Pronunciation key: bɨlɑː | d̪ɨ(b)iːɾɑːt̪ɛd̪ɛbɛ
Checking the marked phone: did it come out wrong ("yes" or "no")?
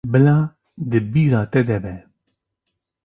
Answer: no